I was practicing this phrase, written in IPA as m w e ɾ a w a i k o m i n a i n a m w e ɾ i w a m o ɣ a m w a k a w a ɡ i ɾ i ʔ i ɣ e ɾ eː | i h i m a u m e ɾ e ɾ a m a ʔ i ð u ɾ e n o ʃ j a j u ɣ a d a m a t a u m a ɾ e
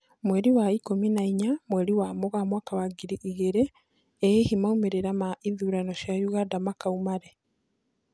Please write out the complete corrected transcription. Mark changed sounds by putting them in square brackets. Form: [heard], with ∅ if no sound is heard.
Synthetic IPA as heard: m w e ɾ [i] w a i k o m i n a i [ɲ] a m w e ɾ i w a m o ɣ a m w a k a w a ɡ i ɾ i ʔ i ɣ e ɾ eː | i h i m a u m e ɾ e ɾ a m a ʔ i ð u ɾ [a] n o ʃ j a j u ɣ a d a m a [k] a u m a ɾ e